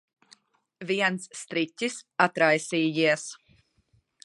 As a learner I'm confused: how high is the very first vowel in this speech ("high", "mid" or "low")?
high